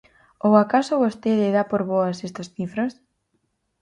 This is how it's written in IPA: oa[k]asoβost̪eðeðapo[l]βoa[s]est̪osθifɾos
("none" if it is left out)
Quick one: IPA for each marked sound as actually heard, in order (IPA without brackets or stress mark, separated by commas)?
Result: k, ɾ, s